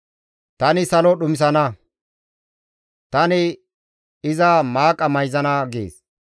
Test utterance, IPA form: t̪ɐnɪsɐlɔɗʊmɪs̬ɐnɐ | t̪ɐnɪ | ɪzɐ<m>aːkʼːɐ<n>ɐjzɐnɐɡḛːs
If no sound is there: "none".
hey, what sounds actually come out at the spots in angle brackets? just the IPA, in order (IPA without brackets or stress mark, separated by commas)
m, m